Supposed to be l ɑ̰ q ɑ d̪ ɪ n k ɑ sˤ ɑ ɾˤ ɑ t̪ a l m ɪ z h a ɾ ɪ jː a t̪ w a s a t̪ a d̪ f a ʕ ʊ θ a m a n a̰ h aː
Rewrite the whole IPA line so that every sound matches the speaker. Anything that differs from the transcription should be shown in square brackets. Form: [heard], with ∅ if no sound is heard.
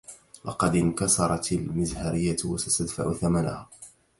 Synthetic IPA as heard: l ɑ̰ q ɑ d̪ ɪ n k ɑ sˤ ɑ ɾˤ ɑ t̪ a l m ɪ z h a ɾ ɪ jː a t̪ w a s a t̪ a d̪ f a ʕ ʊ θ a m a n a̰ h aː